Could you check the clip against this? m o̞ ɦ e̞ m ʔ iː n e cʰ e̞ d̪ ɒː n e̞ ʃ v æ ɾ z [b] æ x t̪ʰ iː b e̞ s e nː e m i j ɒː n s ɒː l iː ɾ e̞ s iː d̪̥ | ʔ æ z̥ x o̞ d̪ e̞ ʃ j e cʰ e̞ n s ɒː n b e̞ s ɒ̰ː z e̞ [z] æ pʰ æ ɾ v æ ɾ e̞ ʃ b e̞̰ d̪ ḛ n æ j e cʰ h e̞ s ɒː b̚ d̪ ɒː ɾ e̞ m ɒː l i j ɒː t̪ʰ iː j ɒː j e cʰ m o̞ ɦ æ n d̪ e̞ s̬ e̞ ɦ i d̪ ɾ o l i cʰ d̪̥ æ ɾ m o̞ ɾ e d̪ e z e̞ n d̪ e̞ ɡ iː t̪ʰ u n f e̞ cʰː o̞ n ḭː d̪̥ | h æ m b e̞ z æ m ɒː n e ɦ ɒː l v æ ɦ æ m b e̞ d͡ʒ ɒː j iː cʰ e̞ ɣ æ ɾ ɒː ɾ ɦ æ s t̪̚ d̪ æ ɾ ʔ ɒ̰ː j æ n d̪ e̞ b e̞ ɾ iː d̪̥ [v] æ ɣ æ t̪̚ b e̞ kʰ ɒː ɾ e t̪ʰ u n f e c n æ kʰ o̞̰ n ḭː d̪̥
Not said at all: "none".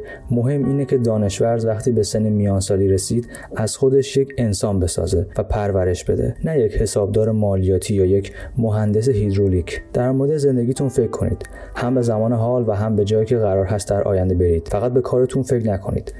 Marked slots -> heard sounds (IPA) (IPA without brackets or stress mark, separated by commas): v, v, f